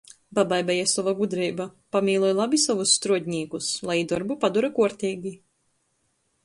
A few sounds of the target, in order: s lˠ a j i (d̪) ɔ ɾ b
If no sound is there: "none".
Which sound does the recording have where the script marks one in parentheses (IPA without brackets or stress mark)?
d̪